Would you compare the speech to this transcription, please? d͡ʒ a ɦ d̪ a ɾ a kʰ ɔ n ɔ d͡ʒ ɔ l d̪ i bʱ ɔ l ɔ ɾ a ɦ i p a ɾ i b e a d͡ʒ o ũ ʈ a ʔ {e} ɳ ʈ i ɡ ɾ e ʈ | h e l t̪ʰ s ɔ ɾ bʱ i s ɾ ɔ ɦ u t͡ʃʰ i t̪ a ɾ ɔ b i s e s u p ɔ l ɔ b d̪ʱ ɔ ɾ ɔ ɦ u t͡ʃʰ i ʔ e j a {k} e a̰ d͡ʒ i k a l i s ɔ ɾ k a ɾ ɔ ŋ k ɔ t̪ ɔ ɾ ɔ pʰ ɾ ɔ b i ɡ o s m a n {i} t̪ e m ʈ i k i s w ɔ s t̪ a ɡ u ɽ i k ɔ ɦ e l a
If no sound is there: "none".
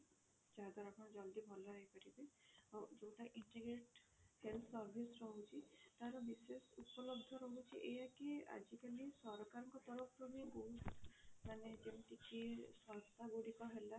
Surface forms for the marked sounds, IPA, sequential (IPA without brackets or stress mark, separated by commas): i, k, e